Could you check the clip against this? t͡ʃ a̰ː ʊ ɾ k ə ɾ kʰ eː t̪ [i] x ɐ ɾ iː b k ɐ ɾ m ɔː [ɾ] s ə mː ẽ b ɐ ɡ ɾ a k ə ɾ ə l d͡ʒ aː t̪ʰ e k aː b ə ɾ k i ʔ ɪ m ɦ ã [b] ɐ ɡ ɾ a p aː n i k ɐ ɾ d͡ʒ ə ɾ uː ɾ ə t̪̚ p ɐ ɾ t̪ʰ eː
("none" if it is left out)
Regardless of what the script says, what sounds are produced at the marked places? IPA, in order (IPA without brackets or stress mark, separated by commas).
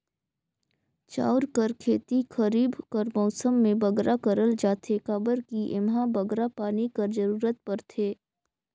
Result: i, none, b